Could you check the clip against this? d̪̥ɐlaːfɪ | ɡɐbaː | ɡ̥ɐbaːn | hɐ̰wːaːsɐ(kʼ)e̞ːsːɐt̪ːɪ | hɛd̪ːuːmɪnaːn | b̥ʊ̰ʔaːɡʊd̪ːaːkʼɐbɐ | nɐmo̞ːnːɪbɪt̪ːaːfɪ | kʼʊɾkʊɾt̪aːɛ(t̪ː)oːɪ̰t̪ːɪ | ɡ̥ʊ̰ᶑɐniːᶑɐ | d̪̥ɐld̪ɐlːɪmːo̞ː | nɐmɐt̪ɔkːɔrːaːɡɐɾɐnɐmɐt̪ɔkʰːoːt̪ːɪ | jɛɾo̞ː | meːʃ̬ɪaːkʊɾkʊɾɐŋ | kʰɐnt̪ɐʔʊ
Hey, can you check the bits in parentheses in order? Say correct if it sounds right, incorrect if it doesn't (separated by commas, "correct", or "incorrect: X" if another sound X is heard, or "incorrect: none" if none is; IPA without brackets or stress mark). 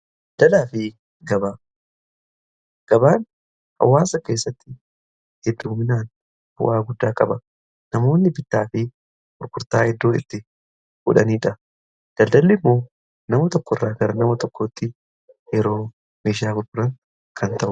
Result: incorrect: k, incorrect: d̪ː